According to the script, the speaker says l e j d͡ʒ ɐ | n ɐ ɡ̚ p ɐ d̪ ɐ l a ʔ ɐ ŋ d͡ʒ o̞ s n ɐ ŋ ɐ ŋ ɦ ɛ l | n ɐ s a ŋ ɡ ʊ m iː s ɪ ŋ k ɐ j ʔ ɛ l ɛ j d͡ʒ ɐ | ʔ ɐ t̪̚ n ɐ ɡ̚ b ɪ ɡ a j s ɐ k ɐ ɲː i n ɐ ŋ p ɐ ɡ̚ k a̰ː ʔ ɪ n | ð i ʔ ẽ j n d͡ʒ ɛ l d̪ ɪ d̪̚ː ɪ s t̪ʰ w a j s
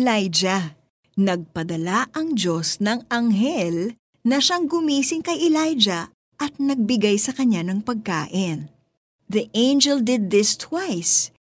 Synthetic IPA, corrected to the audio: l a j d͡ʒ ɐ | n ɐ ɡ̚ p ɐ d̪ ɐ l a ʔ ɐ ŋ d͡ʒ o̞ s n ɐ ŋ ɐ ŋ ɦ ɛ l | n ɐ ʃ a ŋ ɡ ʊ m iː s ɪ ŋ k ɐ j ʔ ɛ l a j d͡ʒ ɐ | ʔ ɐ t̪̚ n ɐ ɡ̚ b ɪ ɡ a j s ɐ k ɐ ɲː a n ɐ ŋ p ɐ ɡ̚ k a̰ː ʔ ɪ n | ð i ʔ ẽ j n d͡ʒ ɛ l d̪ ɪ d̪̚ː ɪ s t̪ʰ w a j s